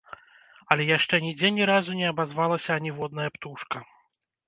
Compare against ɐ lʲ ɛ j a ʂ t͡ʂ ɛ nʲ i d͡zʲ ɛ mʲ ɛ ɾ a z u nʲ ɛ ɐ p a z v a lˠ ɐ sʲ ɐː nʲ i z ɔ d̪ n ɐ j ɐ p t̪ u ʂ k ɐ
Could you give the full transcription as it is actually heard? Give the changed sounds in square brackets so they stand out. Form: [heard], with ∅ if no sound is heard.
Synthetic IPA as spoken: ɐ lʲ ɛ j a ʂ t͡ʂ ɛ nʲ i d͡zʲ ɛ [nʲ] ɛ ɾ a z u nʲ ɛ ɐ [b] a z v a lˠ ɐ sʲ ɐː nʲ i [v] ɔ d̪ n ɐ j ɐ p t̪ u ʂ k ɐ